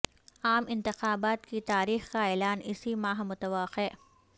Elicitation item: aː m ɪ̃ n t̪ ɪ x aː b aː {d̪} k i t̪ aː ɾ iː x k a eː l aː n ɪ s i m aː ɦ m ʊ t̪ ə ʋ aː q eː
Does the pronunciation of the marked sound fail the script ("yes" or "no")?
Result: yes